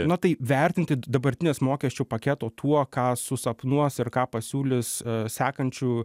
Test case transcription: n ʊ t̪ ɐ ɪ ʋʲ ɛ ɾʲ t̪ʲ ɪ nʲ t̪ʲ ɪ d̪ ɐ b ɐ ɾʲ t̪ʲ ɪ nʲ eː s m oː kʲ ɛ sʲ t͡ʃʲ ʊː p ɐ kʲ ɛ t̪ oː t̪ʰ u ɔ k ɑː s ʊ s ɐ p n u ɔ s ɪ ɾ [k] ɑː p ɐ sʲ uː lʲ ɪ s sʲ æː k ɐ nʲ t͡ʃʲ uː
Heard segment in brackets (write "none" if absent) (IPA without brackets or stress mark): k